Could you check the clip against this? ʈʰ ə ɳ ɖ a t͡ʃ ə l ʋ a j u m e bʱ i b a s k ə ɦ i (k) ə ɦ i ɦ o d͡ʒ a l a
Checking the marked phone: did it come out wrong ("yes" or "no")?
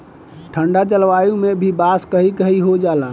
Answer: no